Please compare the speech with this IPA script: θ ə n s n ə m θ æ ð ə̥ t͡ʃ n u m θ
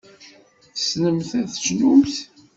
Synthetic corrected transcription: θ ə s n ə m θ æ θ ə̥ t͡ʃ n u m θ